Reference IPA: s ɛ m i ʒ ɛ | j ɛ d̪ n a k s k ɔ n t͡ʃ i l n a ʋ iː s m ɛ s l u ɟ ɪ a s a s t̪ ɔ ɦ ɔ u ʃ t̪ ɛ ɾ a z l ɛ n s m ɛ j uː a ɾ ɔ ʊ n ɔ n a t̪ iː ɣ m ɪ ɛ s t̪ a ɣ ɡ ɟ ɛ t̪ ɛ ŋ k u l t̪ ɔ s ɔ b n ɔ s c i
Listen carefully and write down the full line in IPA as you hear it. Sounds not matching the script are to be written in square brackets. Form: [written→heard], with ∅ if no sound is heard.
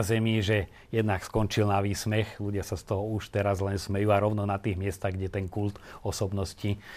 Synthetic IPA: [s→z] ɛ m i ʒ ɛ | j ɛ d̪ n a k s k ɔ n t͡ʃ i l n a ʋ iː s m ɛ [s→x] l u ɟ ɪ a s a s t̪ ɔ ɦ ɔ u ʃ t̪ ɛ ɾ a z l ɛ n s m ɛ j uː a ɾ ɔ ʊ n ɔ n a t̪ iː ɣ m ɪ ɛ s t̪ a ɣ ɡ ɟ ɛ t̪ ɛ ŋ k u l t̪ ɔ s ɔ b n ɔ s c i